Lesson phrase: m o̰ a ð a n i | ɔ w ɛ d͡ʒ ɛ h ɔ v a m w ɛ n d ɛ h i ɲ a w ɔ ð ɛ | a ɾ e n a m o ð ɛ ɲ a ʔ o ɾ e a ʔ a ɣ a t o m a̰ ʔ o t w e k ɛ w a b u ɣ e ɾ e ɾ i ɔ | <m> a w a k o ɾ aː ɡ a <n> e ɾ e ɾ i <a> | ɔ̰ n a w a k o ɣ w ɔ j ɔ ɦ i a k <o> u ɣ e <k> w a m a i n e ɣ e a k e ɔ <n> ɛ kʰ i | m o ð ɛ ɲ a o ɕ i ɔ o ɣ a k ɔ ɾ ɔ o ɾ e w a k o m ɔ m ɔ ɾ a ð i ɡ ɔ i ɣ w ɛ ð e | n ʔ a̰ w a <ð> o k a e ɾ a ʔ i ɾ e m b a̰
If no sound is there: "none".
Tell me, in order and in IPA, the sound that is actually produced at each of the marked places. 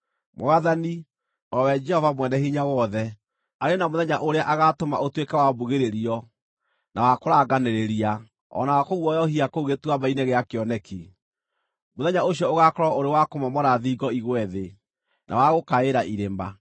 n, n, a, o, t, n, ɣ

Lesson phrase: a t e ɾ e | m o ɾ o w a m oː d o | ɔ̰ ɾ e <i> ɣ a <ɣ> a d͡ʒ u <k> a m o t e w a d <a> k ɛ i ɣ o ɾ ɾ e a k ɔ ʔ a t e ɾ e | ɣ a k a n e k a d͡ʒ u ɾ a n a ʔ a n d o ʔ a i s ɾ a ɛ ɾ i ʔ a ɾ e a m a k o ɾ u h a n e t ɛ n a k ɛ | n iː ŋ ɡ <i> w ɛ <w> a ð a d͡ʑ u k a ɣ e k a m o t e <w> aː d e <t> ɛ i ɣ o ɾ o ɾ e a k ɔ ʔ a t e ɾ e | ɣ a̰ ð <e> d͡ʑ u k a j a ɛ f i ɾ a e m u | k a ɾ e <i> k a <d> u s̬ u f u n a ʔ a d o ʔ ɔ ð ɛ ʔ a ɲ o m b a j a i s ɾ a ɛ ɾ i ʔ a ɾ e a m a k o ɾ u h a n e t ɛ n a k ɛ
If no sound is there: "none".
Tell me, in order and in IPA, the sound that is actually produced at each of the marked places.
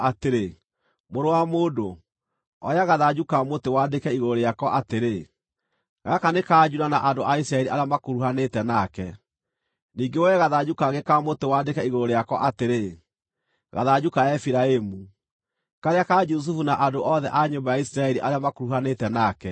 a, ð, k, e, e, ɣ, w, k, a, a, d͡ʒ

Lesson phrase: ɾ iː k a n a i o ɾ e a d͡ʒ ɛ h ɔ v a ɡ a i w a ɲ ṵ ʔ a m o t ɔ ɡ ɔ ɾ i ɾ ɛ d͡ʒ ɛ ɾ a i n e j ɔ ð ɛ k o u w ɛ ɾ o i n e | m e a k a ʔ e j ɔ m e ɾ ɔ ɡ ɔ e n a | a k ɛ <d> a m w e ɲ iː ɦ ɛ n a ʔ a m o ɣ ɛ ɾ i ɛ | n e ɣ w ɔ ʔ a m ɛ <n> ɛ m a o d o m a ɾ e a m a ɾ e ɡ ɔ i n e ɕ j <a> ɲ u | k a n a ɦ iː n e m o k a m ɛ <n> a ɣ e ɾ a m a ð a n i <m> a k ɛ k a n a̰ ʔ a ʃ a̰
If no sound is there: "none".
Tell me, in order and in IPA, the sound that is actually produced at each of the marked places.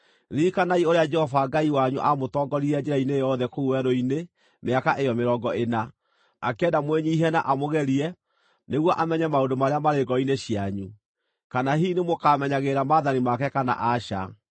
d, ɲ, a, ɲ, m

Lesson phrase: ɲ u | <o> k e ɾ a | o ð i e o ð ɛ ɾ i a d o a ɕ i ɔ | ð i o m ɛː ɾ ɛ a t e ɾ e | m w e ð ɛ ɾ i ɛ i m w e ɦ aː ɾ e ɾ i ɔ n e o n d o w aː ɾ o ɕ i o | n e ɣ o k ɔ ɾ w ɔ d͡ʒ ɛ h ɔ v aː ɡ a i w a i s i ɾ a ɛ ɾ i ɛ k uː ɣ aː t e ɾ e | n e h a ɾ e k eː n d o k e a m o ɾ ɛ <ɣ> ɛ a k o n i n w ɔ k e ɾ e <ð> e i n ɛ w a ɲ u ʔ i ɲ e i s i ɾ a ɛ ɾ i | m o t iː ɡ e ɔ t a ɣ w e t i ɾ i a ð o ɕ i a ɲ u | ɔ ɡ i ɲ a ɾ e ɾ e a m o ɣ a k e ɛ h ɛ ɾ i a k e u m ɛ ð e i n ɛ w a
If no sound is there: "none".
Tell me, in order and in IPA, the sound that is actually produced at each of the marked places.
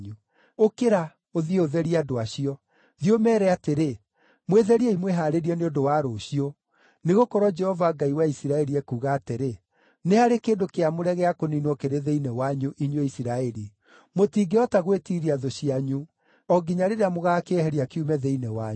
o, ɣ, ð

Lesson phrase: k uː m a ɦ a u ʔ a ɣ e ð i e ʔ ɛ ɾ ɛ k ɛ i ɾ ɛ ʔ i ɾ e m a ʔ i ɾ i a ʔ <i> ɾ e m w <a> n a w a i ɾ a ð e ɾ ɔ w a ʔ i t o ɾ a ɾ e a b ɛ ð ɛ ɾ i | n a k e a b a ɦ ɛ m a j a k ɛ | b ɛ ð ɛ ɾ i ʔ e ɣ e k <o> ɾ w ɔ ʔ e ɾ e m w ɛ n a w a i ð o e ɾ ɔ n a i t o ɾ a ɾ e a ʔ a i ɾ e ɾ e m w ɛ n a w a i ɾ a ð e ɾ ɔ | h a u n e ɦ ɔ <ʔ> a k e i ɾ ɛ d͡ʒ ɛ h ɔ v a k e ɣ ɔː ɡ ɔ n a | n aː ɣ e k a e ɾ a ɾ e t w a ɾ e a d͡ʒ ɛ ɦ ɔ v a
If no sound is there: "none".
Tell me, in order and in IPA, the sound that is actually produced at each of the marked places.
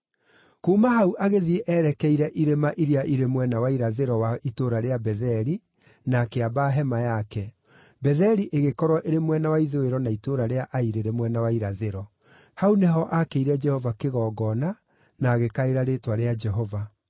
i, ɛ, ɔ, ʔ

